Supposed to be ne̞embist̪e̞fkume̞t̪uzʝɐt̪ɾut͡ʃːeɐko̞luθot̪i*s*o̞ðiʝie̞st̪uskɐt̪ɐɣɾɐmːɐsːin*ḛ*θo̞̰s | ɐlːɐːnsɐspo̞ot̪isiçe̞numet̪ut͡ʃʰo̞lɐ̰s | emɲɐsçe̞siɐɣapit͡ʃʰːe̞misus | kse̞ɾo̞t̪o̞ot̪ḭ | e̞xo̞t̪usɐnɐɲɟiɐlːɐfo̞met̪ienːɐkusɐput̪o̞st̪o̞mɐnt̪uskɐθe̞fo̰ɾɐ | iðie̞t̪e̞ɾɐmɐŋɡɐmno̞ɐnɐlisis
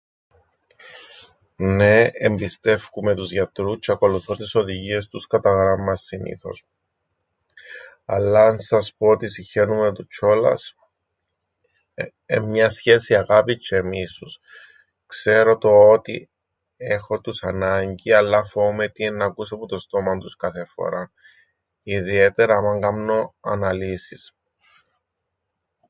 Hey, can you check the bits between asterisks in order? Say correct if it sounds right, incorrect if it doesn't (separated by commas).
correct, incorrect